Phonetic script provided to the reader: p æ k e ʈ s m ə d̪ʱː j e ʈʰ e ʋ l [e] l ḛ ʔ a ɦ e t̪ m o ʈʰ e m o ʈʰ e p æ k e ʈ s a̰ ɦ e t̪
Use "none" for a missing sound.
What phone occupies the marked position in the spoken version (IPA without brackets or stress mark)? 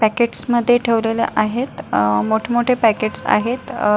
e